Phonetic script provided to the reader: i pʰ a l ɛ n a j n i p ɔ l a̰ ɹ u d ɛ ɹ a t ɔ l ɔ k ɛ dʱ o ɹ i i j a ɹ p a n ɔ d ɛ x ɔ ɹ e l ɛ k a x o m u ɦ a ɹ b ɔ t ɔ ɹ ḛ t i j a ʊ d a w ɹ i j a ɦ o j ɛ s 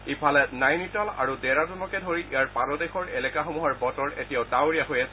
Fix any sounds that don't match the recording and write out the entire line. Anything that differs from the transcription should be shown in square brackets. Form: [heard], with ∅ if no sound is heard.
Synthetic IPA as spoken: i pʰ a l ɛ n a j n i [t] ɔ l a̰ ɹ u d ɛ ɹ a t ɔ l ɔ k ɛ dʱ o ɹ i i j a ɹ p a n ɔ d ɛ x ɔ ɹ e l ɛ k a x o m u ɦ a ɹ b ɔ t ɔ ɹ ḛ t i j a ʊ d a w ɹ i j a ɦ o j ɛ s